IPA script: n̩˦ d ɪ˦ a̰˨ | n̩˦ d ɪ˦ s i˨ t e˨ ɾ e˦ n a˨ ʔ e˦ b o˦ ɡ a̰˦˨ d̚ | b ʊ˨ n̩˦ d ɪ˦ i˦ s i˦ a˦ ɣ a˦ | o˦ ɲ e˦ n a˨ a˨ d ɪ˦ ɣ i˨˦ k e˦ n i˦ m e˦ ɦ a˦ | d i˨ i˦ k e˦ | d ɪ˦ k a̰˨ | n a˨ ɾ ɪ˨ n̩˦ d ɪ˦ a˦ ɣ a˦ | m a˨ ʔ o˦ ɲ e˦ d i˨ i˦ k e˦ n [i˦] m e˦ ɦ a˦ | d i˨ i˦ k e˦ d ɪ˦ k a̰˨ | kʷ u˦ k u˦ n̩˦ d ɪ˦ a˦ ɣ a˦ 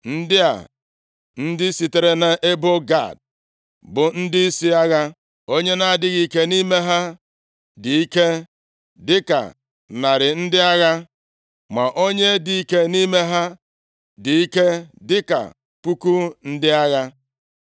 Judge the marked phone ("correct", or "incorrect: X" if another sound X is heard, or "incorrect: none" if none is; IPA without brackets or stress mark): correct